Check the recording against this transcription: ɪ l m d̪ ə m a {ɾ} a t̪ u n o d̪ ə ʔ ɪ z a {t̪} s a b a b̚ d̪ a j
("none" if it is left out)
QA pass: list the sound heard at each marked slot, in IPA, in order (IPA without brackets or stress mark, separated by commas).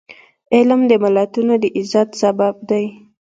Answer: l, t̪